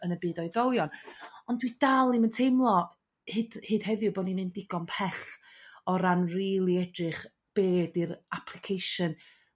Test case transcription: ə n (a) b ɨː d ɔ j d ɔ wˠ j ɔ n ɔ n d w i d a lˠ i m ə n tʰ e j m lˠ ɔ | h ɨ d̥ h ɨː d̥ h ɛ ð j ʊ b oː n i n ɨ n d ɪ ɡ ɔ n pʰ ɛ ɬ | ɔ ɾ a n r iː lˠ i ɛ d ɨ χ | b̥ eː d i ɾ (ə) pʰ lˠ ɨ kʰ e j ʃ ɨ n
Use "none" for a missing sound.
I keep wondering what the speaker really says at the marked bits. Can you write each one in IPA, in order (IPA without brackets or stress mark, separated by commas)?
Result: ə, a